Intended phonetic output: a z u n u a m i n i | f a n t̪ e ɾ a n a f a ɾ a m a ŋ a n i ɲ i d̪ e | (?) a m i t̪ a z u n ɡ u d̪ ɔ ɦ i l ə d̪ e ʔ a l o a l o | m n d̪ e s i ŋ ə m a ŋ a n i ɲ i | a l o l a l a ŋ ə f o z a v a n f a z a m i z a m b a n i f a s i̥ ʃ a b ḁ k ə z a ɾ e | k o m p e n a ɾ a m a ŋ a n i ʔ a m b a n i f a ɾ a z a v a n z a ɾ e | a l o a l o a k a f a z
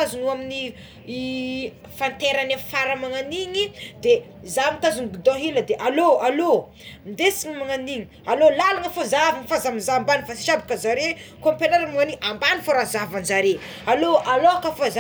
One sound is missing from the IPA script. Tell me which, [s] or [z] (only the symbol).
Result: z